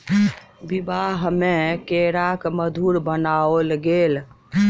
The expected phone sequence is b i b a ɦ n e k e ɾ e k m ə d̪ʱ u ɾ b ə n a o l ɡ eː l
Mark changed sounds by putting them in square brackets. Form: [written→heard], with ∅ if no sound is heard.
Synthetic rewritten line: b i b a ɦ [n→m] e k e ɾ [e→a] k m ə d̪ʱ u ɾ b ə n a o l ɡ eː l